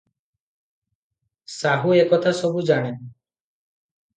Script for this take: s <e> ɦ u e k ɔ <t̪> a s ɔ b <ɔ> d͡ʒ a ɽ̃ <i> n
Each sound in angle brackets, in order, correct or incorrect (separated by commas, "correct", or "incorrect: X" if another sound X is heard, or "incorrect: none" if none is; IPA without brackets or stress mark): incorrect: a, incorrect: t̪ʰ, incorrect: u, incorrect: e